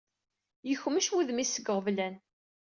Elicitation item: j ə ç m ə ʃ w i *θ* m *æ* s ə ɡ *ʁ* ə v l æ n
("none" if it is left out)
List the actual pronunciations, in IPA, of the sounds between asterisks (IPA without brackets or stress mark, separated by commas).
ð, i, ʁ